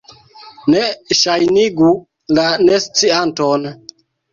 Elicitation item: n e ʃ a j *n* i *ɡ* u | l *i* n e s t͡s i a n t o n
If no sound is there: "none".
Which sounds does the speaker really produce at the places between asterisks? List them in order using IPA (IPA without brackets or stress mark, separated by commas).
n, ɡ, a